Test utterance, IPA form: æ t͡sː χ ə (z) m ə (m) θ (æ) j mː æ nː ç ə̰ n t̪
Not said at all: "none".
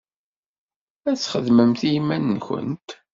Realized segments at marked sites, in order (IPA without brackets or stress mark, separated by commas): ð, m, i